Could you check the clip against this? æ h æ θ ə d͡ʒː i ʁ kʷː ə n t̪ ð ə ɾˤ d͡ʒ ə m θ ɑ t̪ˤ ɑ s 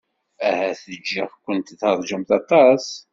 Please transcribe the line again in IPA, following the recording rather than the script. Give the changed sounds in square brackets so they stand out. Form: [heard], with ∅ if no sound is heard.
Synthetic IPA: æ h æ θ ə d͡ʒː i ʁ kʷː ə n t̪ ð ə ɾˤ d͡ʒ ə m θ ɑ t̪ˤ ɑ s